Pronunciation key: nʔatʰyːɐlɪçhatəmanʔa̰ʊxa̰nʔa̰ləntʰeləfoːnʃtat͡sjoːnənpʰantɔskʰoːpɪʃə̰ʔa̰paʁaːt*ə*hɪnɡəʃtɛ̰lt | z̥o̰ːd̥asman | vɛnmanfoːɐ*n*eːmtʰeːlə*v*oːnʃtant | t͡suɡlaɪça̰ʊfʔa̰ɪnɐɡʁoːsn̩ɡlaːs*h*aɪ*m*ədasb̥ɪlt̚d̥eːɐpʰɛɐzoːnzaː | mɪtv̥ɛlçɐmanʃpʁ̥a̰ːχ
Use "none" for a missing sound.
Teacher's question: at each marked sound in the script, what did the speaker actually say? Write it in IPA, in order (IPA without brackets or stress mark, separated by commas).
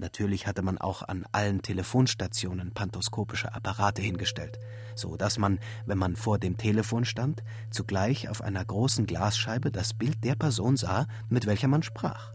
ə, d, f, ʃ, b